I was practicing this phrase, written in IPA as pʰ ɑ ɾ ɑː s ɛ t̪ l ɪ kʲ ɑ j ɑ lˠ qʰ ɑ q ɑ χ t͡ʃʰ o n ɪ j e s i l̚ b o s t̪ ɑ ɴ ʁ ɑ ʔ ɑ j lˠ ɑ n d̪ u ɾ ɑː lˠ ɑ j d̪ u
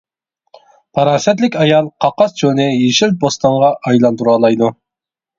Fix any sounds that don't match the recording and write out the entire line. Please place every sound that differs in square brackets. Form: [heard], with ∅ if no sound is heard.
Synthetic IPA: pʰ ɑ ɾ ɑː s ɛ t̪ l ɪ kʲ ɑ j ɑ lˠ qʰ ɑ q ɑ [s] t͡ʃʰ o n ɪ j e [ʃ] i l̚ b o s t̪ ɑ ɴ ʁ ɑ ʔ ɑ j lˠ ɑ n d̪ u ɾ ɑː lˠ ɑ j d̪ u